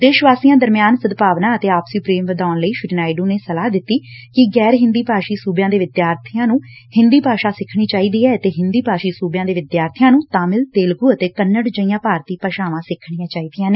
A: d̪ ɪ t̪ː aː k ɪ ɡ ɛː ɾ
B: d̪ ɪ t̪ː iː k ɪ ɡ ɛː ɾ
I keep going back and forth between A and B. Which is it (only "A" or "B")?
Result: B